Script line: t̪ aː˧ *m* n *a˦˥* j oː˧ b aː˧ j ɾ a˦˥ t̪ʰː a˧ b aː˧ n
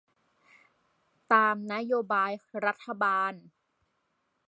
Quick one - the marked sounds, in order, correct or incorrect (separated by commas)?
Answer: correct, correct